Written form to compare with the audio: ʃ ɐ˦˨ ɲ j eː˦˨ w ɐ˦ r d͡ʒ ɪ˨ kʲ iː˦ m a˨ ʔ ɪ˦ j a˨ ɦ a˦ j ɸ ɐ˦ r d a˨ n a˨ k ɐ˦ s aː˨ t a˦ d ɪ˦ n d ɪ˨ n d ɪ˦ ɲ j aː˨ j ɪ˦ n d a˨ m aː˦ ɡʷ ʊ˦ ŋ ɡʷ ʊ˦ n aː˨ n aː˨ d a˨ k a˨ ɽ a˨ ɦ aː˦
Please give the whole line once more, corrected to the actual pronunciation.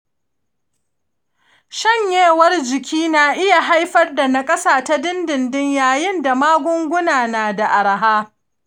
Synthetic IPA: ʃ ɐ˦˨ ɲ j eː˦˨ w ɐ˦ r d͡ʒ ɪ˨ kʲ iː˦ n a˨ ʔ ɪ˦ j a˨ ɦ a˦ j ɸ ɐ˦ r d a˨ n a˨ kʼ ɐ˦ s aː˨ t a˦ d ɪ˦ n d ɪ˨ n d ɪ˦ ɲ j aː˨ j ɪ˦ n d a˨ m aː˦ ɡʷ ʊ˦ ŋ ɡʷ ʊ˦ n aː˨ n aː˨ d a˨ ʔ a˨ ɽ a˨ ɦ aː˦